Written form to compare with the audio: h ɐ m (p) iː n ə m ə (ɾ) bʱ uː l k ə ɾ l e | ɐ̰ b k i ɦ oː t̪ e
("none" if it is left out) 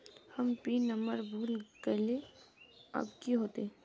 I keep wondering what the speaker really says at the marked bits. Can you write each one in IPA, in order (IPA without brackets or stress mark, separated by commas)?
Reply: p, ɾ